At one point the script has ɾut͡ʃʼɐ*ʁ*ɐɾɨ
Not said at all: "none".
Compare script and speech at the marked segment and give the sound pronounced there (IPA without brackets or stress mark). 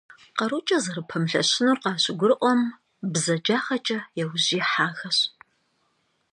z